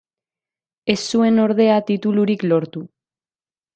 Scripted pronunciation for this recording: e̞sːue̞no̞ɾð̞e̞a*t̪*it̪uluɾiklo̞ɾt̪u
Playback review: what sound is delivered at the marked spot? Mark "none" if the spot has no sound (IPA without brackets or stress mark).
t̪